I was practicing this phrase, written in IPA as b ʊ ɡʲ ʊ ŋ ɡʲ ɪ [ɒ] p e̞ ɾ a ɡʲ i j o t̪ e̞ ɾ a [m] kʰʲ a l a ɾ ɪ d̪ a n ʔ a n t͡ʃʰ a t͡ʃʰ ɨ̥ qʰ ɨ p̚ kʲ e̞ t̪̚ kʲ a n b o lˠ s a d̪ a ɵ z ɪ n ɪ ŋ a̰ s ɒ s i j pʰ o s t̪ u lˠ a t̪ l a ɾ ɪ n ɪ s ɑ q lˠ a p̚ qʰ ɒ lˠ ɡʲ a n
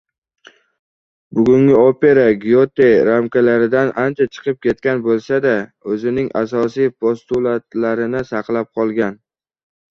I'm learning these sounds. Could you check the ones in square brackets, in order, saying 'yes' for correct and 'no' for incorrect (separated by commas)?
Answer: no, yes